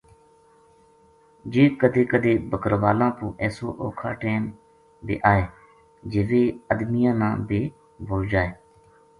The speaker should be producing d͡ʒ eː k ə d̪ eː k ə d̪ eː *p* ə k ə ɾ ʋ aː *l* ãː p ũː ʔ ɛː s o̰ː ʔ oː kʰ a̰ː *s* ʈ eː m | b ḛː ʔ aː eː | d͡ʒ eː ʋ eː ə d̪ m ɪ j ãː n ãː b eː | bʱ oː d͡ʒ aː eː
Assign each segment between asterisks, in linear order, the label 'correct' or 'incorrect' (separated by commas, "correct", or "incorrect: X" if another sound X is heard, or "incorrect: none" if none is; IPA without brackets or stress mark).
incorrect: b, correct, incorrect: none